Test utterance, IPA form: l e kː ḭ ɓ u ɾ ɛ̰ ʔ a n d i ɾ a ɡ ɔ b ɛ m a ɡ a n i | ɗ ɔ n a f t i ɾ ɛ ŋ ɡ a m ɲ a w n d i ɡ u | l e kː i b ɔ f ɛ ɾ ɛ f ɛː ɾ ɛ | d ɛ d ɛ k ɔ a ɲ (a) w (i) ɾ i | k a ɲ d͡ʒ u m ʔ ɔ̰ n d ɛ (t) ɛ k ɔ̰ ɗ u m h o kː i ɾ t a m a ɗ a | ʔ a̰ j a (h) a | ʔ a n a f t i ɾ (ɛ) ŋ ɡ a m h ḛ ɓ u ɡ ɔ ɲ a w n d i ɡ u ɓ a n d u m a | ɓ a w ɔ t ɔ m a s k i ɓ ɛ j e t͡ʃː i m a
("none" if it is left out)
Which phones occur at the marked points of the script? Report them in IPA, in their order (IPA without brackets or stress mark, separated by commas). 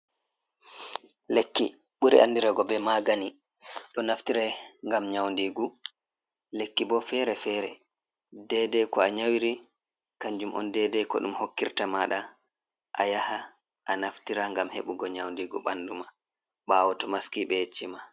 a, i, d, h, a